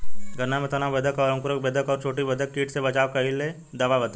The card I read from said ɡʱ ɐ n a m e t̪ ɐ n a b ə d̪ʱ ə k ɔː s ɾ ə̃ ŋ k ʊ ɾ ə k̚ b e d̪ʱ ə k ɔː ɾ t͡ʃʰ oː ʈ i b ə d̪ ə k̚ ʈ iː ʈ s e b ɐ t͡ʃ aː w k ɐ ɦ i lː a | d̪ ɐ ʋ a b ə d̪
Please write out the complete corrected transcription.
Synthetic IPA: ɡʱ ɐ n a m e t̪ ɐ n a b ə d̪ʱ ə k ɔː ɾ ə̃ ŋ k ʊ ɾ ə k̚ b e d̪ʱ ə k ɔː ɾ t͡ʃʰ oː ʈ i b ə d̪ ə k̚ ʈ iː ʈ s e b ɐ t͡ʃ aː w k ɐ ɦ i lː e | d̪ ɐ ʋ a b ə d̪

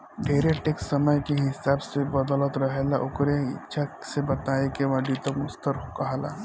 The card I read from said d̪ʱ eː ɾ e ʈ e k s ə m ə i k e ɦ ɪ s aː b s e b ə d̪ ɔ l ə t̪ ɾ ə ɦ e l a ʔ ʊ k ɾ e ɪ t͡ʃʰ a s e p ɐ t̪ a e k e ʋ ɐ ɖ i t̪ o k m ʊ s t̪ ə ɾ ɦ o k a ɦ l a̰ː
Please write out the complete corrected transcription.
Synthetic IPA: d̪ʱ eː ɾ e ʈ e k s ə m ə j k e ɦ ɪ s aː b s e b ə d̪ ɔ l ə t̪ ɾ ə ɦ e l a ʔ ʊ k ɾ e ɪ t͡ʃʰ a s e b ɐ t̪ a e k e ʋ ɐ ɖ i t̪ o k m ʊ s t̪ ə ɾ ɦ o k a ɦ l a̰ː

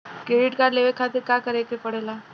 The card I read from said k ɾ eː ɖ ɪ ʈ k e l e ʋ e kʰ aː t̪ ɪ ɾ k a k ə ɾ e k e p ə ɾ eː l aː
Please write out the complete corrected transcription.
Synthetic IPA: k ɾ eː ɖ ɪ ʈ k a l e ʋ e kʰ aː t̪ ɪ ɾ k a k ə ɾ e k e p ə ɽ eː l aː

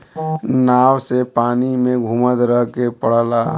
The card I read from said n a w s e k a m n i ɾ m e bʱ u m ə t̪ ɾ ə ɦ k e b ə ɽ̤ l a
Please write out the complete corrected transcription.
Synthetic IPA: n a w s e p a n i m e ɡʱ u m ə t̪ ɾ ə ɦ k e p ə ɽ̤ l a

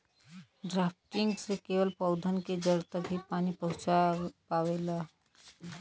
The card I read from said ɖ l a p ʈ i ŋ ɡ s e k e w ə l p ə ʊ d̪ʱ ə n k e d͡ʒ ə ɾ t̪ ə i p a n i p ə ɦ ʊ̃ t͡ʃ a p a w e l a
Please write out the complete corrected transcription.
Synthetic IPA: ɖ ɾ a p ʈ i ŋ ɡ s e k e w ə l p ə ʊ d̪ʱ ə n k e d͡ʒ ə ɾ t̪ ə i p a n i p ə ɦ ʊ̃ t͡ʃ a p a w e l a

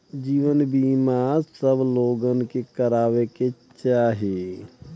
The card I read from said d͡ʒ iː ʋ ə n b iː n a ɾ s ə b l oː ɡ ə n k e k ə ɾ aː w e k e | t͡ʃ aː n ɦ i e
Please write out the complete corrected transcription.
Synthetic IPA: d͡ʒ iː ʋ ə n b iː m a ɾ s ə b l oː ɡ ə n k e k ə ɾ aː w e k e | t͡ʃ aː ɦ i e

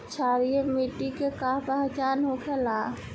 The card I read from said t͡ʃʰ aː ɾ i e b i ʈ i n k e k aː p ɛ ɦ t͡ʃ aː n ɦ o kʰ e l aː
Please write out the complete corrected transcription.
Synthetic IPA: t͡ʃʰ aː ɾ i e m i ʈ i k e k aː p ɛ ɦ t͡ʃ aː n ɦ o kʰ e l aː

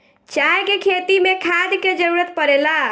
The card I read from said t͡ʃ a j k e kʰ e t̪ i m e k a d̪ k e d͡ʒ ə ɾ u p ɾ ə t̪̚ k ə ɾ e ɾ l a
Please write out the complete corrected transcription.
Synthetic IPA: t͡ʃ a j k e kʰ e t̪ i m e kʰ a d̪ k e d͡ʒ ə ɾ u ɾ ə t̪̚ p ə ɾ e l a

